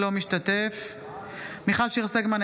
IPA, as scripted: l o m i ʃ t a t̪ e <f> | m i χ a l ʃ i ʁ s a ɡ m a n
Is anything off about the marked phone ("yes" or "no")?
no